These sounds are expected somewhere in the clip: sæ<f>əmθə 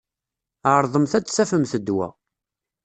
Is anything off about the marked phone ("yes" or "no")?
no